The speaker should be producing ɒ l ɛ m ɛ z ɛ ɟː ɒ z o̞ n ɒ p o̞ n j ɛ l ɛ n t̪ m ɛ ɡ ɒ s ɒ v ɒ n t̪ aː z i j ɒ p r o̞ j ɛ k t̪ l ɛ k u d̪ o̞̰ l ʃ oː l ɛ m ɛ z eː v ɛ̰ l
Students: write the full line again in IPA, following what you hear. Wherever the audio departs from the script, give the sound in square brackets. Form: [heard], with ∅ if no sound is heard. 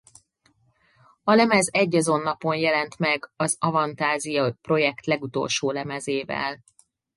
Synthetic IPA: ɒ l ɛ m ɛ z ɛ ɟː ɒ z o̞ [nː] ɒ p o̞ n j ɛ l ɛ n t̪ m ɛ ɡ ɒ [z] ɒ v ɒ n t̪ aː z i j ɒ p r o̞ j ɛ k t̪ l ɛ [ɡ] u [t̪] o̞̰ l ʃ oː l ɛ m ɛ z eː v ɛ̰ l